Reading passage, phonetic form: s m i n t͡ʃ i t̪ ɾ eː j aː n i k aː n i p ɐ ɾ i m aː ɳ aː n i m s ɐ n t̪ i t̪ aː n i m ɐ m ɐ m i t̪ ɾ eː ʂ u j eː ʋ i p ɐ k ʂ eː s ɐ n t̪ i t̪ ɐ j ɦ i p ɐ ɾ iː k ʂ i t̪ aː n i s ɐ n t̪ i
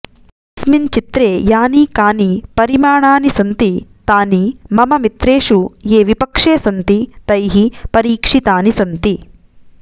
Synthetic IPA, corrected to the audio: s m i n t͡ʃ i t̪ ɾ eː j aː n i k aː n i p ɐ ɾ i m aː ɳ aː n i s ɐ n t̪ i t̪ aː n i m ɐ m ɐ m i t̪ ɾ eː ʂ u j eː ʋ i p ɐ k ʂ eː s ɐ n t̪ i t̪ ɐ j ɦ i p ɐ ɾ iː k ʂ i t̪ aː n i s ɐ n t̪ i